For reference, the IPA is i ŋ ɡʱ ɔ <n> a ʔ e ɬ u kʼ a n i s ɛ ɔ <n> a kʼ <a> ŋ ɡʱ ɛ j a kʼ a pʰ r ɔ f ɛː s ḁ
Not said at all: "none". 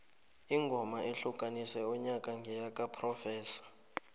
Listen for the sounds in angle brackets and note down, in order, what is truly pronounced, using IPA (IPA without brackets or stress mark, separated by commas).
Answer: m, ɲ, a